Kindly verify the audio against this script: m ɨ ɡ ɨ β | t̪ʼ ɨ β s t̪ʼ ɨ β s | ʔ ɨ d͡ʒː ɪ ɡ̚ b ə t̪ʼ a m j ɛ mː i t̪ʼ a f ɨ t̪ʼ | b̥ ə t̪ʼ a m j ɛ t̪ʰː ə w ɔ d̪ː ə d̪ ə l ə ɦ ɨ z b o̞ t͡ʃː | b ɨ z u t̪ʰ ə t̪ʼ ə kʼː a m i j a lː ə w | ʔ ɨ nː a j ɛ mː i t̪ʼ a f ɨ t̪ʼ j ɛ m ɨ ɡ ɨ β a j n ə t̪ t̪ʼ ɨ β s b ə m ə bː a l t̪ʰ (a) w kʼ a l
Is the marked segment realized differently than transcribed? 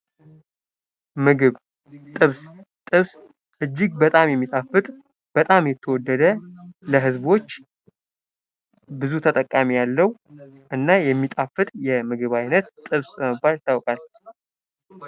no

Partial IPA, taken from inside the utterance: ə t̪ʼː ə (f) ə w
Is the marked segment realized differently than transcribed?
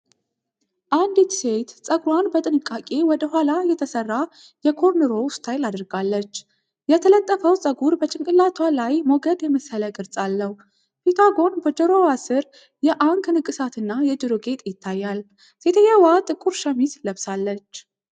no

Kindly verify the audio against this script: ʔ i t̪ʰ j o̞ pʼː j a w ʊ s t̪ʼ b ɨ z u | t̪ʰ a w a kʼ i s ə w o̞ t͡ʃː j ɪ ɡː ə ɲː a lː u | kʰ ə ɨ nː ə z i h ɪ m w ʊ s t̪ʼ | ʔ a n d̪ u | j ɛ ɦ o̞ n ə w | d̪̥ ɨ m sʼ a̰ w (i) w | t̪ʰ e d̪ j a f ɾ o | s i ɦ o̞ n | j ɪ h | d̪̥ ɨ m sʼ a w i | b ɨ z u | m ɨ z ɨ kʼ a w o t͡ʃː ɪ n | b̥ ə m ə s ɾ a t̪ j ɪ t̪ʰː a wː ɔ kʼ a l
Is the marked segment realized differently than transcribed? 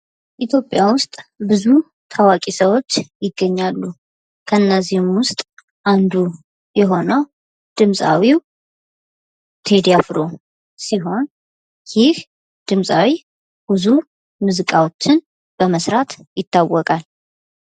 no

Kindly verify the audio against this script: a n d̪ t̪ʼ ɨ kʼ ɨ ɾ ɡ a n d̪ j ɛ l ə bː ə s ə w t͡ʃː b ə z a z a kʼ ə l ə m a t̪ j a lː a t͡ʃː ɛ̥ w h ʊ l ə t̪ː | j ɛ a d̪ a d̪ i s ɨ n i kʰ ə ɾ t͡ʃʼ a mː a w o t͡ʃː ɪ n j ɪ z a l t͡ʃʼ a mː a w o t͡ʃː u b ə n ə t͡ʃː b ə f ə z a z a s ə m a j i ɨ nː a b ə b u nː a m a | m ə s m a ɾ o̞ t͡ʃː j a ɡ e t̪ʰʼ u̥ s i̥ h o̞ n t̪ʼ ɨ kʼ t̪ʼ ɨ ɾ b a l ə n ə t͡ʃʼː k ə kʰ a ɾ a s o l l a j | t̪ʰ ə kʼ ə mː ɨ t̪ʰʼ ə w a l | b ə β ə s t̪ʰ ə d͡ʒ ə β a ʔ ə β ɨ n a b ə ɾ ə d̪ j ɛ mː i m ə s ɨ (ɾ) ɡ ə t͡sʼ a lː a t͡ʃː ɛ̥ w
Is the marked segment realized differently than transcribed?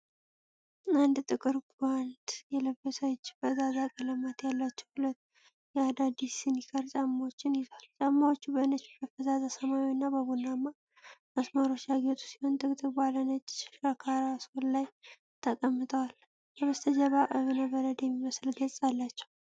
yes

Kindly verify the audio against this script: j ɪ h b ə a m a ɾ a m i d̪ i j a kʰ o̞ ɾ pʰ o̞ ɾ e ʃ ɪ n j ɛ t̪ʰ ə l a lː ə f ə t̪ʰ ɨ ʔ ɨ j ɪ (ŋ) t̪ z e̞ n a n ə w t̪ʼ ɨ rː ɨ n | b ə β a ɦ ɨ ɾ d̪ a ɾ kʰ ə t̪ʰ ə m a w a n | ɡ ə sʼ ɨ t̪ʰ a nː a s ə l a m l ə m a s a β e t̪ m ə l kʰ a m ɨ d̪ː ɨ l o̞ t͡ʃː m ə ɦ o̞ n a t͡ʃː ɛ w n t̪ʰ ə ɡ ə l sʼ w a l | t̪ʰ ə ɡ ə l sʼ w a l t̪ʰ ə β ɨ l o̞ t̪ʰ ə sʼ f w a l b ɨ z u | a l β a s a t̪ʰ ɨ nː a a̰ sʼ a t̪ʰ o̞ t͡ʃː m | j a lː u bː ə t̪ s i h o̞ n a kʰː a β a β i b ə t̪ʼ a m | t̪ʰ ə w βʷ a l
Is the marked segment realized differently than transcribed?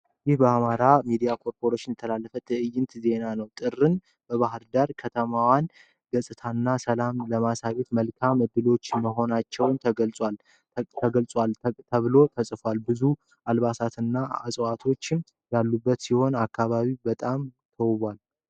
yes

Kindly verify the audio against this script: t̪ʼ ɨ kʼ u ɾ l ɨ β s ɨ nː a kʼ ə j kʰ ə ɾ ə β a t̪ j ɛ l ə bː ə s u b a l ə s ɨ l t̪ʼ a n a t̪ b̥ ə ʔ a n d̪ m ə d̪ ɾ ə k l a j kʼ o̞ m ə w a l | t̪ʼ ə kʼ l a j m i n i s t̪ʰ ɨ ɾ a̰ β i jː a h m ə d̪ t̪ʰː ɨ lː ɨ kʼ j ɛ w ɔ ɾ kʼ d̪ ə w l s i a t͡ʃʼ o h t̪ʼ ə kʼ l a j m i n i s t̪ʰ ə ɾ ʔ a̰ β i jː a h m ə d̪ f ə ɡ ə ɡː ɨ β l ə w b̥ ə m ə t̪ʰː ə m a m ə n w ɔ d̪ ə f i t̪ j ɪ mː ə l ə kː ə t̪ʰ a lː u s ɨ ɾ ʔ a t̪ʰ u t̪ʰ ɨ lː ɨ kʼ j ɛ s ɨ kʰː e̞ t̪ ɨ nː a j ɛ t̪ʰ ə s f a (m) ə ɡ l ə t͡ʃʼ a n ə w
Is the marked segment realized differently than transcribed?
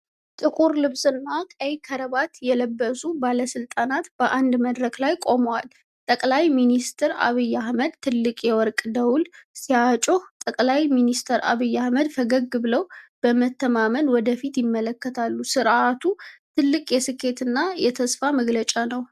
no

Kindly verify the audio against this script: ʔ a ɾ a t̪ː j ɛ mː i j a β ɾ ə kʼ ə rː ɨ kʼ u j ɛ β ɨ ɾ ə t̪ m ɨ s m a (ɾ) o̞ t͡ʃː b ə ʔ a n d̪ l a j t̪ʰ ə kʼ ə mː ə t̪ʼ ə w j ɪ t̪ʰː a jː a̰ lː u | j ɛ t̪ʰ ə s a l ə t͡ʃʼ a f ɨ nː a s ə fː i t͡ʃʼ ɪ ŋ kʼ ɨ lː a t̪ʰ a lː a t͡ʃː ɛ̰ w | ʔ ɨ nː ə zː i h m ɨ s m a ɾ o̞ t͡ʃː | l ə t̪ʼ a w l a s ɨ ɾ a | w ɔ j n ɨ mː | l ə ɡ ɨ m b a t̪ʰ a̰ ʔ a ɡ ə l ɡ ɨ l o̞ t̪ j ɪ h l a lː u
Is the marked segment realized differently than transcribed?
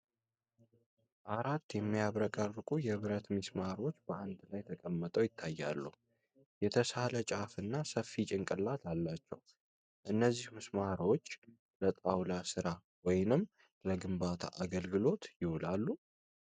no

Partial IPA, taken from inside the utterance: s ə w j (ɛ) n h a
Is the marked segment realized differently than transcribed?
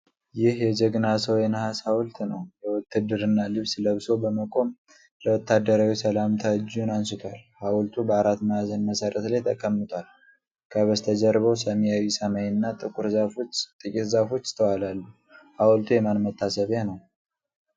no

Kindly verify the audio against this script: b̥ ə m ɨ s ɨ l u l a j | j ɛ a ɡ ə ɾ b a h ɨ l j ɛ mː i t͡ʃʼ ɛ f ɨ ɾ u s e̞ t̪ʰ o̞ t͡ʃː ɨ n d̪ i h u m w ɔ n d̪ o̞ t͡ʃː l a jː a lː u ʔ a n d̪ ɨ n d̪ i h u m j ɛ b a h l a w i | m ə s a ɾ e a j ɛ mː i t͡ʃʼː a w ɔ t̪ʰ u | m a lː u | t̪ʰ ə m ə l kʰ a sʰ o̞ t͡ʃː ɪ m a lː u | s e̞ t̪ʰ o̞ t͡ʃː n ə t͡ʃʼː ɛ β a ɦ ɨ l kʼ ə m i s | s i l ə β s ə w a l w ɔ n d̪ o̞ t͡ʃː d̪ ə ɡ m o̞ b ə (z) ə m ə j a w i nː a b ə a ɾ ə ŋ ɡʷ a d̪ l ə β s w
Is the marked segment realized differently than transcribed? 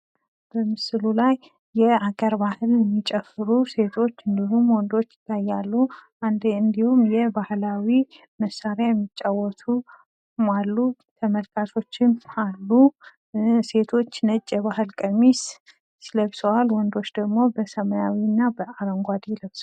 yes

